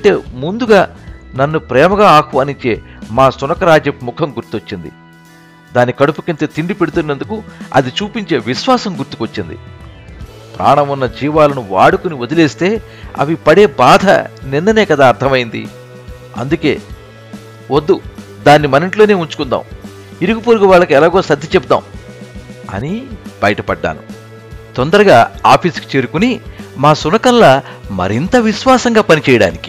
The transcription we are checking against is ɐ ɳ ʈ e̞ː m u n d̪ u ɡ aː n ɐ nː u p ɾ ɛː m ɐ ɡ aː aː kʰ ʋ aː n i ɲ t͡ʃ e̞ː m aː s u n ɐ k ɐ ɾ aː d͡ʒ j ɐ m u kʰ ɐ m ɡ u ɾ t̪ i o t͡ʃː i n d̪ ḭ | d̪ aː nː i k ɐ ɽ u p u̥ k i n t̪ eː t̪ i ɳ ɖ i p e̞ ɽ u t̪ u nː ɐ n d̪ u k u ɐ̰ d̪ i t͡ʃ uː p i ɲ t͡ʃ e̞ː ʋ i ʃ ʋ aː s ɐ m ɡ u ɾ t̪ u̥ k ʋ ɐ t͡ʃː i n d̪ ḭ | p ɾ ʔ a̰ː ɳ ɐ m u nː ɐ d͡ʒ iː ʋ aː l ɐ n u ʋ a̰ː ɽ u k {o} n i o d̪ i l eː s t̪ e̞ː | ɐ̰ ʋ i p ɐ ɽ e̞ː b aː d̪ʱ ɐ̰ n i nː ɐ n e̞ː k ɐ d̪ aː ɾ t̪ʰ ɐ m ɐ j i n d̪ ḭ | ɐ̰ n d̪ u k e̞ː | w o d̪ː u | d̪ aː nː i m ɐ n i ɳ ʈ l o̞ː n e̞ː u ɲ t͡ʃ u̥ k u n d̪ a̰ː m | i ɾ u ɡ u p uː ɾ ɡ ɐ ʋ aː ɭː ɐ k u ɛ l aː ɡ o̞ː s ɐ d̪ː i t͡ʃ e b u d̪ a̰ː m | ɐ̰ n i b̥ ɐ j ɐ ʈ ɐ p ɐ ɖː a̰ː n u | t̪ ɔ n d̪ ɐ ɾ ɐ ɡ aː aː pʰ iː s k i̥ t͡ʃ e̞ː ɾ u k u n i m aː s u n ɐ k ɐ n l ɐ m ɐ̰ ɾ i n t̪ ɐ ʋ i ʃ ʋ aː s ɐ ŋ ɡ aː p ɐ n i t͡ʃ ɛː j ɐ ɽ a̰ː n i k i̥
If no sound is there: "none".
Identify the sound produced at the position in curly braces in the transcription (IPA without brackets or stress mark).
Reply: u